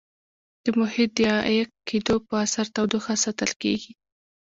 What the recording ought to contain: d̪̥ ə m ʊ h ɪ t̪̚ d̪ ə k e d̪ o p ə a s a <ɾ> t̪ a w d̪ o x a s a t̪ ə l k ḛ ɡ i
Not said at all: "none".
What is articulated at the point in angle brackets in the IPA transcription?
ɾ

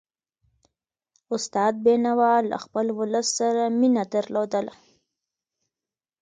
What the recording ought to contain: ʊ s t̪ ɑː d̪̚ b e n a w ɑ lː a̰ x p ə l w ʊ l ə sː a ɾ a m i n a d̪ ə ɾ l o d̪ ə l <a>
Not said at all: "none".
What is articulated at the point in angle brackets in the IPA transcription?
a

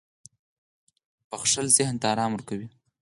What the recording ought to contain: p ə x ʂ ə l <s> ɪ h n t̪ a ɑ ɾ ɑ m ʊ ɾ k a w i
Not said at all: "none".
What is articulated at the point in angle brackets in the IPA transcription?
z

